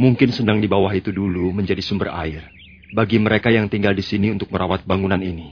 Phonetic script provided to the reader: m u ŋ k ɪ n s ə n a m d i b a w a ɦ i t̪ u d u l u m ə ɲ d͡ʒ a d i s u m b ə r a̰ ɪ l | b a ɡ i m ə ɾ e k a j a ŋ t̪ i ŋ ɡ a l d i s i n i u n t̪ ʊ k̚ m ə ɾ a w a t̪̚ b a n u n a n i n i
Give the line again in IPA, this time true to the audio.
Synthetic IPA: m u ŋ k ɪ n s ə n a ŋ d i b a w a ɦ i t̪ u d u l u m ə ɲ d͡ʒ a d i s u m b ə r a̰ ɪ r | b a ɡ i m ə ɾ e k a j a ŋ t̪ i ŋ ɡ a l d i s i n i u n t̪ ʊ k̚ m ə ɾ a w a t̪̚ b a ŋ u n a n i n i